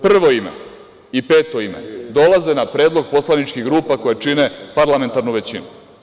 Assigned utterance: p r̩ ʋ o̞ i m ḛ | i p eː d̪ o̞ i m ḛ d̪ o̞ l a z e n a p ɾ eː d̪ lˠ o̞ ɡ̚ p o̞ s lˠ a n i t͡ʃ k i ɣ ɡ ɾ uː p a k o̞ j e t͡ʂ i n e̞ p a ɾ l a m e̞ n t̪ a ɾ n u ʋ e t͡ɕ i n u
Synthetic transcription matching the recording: p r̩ ʋ o̞ i m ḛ | i p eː t̪ o̞ i m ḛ d̪ o̞ l a z e n a p ɾ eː d̪ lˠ o̞ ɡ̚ p o̞ s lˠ a n i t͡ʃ k i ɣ ɡ ɾ uː p a k o̞ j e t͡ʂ i n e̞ p a ɾ l a m e̞ n t̪ a ɾ n u ʋ e t͡ɕ i n u